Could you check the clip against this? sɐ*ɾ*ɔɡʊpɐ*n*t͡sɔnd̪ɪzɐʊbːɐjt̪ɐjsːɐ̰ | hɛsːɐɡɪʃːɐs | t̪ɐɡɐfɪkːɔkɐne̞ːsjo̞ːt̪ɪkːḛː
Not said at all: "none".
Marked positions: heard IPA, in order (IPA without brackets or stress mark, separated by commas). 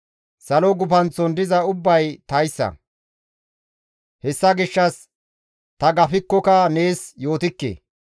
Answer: l, n